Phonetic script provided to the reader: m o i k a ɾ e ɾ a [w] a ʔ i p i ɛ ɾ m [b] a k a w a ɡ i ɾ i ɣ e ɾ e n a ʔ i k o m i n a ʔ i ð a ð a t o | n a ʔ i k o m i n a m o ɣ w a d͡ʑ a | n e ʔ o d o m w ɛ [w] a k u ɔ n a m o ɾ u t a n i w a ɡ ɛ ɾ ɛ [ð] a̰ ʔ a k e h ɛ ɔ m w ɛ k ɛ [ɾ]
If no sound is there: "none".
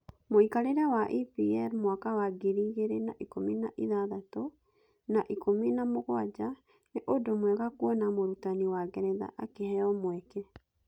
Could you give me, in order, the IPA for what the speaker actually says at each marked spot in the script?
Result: w, w, ɣ, ð, none

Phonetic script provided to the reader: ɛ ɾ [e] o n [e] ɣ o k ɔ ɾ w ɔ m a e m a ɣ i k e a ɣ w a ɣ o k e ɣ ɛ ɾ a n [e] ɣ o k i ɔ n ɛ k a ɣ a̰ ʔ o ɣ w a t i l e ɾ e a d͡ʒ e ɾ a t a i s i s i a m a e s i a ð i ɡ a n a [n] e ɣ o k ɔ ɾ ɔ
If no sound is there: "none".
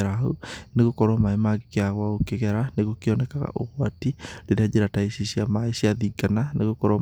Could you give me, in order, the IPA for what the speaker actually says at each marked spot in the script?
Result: a, e, e, n

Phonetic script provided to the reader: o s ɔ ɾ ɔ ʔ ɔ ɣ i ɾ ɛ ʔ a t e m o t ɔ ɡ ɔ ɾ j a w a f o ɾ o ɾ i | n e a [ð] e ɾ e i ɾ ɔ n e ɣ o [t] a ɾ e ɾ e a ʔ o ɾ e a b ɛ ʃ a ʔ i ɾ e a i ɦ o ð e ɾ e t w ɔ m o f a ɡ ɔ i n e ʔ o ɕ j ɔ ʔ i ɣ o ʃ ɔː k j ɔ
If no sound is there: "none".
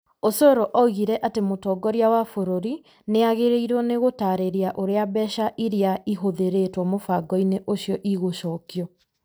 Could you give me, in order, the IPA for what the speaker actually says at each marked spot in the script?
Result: ɣ, t

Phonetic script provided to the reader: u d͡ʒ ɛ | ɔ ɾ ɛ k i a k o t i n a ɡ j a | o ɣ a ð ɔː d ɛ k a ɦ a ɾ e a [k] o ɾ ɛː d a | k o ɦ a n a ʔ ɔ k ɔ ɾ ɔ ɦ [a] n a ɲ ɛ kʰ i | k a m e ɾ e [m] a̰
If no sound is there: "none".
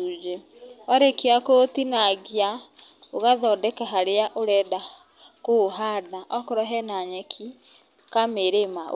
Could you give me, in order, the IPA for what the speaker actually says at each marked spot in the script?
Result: ʔ, ɛ, m

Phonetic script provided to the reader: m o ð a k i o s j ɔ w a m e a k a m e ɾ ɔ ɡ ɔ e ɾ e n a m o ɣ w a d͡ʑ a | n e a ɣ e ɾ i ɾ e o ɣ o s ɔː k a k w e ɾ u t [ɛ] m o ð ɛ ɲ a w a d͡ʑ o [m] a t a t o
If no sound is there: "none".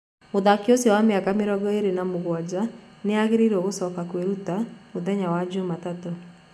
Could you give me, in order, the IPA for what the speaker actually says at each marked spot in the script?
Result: a, m

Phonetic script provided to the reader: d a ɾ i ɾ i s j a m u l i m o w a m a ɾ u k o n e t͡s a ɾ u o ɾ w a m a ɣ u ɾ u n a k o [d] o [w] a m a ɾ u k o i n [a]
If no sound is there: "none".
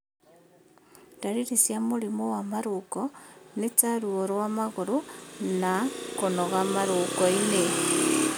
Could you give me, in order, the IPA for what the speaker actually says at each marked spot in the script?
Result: n, ɣ, e

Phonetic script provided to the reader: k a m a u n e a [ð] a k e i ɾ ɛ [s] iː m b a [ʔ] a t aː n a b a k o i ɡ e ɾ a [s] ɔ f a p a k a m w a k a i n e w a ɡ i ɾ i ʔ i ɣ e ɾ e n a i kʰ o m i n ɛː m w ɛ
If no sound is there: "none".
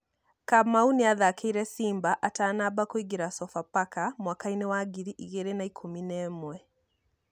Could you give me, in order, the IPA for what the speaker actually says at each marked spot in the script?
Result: ð, s, ʔ, s

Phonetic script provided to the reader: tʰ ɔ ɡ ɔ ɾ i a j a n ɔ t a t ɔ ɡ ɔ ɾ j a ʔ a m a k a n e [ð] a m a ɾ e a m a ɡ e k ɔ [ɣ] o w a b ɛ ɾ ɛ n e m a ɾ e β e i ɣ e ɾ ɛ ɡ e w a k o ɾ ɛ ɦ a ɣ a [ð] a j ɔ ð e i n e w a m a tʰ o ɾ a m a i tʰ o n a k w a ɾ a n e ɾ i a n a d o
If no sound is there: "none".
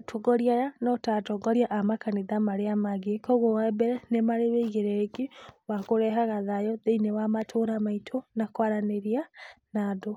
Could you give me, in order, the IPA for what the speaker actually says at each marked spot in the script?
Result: ð, ɣ, ð

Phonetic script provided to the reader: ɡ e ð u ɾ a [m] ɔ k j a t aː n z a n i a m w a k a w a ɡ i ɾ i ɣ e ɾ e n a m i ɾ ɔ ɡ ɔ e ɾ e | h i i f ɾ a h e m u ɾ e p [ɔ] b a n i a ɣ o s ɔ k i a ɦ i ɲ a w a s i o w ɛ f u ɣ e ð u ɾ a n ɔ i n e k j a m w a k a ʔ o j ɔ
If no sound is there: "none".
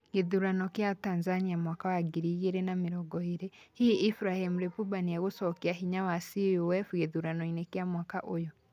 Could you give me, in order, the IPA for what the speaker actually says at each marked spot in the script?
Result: n, u

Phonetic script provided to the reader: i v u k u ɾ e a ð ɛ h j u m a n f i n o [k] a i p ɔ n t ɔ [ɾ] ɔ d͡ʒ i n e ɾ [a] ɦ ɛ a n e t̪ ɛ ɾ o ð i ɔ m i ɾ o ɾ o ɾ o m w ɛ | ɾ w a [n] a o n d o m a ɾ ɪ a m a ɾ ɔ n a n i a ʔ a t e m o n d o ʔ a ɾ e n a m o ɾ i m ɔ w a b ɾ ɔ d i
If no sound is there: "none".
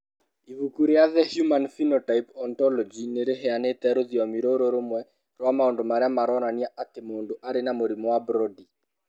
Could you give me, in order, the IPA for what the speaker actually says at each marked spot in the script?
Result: t, l, e, m

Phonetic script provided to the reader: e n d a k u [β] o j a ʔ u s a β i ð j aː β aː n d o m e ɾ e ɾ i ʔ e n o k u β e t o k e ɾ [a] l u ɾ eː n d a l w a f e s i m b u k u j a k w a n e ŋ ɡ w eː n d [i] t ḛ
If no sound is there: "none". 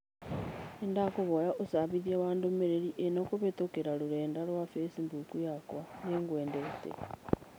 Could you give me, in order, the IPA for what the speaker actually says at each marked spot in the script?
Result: β, a, e

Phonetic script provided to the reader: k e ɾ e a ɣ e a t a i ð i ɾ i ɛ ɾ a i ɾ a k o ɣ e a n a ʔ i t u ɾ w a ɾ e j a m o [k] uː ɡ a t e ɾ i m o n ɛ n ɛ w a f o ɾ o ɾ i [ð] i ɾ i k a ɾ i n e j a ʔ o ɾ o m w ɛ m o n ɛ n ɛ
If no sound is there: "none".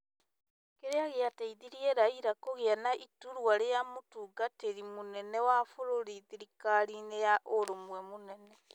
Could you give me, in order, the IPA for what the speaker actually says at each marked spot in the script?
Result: t, ð

